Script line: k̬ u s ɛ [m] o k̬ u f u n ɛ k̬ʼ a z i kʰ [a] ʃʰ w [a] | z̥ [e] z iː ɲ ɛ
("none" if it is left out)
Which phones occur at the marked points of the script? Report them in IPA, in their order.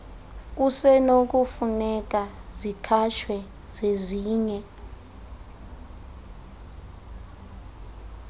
n, a, ɛ, e

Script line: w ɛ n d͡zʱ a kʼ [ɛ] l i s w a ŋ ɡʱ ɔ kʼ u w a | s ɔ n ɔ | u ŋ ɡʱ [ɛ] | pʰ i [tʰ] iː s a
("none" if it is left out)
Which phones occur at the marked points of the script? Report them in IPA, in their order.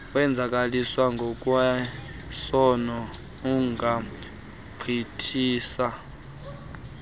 a, a, tʰ

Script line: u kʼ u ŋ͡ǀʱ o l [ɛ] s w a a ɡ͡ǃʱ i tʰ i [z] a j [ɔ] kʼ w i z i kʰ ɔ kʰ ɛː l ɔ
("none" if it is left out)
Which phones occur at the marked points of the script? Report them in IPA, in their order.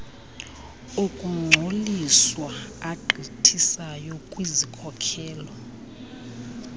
i, s, ɔ

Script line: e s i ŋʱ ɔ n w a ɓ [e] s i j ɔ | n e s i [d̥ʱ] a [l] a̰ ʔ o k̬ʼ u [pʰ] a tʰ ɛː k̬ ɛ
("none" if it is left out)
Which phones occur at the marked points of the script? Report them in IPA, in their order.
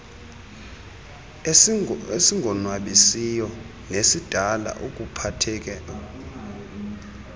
i, d̥ʱ, l, pʰ

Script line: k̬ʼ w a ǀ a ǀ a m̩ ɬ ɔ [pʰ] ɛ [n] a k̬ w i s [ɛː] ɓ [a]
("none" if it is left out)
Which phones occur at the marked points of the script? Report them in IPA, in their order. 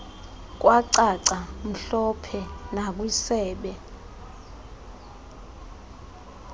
pʰ, n, ɛː, ɛ

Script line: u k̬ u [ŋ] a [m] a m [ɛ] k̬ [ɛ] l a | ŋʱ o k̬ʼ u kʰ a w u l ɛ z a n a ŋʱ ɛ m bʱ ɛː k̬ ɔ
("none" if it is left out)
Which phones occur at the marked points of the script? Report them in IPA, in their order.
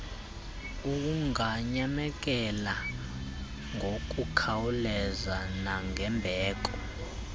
ŋ, ɲ, ɛ, ɛ

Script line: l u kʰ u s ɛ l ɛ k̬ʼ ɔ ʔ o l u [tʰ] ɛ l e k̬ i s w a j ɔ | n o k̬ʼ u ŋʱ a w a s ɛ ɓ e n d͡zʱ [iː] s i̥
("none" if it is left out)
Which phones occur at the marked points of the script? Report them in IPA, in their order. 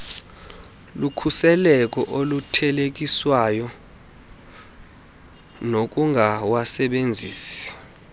tʰ, iː

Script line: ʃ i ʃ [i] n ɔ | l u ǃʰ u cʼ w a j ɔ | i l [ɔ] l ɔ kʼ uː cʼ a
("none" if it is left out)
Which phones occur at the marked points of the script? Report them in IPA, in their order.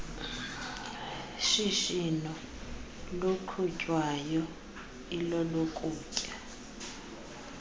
i, ɔ

